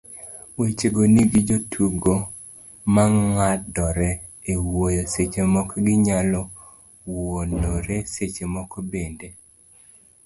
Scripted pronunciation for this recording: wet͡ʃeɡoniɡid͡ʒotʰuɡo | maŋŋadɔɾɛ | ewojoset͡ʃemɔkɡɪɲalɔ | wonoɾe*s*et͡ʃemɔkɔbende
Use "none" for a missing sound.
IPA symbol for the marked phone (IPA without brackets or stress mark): s